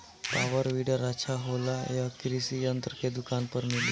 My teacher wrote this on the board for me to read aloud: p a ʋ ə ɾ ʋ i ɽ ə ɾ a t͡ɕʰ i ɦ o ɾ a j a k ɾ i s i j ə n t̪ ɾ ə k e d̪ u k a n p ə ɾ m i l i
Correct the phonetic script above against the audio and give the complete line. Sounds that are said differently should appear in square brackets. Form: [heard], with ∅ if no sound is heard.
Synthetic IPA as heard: p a ʋ ə ɾ ʋ i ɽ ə ɾ a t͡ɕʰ [a] ɦ o [l] a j a k ɾ i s i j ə n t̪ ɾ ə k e d̪ u k a n p ə ɾ m i l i